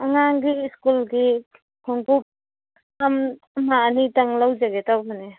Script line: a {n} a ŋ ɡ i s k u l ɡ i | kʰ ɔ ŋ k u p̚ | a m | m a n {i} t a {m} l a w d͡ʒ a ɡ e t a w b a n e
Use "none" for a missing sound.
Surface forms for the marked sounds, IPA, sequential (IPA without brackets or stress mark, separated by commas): ŋ, i, ŋ